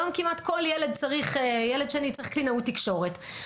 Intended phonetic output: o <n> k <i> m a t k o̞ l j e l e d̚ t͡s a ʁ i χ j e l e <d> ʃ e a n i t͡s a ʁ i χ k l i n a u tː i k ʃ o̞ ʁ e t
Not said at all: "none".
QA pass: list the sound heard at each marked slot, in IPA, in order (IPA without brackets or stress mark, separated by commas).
m, i, d